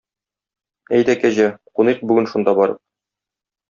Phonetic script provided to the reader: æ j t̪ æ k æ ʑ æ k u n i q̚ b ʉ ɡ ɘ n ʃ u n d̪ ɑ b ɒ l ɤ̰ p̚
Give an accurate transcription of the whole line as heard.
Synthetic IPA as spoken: æ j d̪ æ k æ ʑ æ q u n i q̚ b ʉ ɡ ɘ n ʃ u n d̪ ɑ b ɒ ɾ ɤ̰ p̚